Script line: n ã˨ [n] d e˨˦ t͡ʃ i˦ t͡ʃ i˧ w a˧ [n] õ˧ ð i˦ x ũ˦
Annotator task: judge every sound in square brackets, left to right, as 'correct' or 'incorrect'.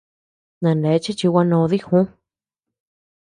correct, correct

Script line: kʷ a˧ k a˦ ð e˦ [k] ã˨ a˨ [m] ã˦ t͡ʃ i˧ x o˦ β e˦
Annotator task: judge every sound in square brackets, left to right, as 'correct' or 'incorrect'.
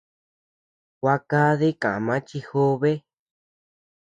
correct, correct

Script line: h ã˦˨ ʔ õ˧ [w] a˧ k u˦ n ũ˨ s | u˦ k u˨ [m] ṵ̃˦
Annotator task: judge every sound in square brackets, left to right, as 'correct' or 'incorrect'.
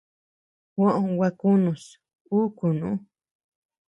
correct, incorrect

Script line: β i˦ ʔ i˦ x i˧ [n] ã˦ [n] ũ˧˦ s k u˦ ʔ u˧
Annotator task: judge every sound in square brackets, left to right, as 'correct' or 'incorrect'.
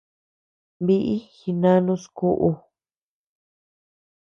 correct, correct

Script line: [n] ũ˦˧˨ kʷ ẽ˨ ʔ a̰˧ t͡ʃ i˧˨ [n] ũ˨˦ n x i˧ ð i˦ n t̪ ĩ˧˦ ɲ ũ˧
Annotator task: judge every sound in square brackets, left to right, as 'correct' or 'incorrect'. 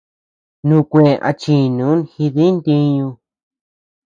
correct, correct

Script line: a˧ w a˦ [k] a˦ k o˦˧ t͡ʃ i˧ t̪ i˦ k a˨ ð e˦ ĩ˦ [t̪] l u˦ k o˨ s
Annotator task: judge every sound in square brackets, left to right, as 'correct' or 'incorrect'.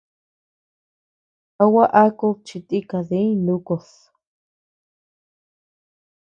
incorrect, incorrect

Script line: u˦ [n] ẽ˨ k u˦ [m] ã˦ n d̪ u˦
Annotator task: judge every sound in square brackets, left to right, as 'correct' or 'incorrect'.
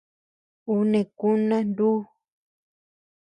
correct, incorrect

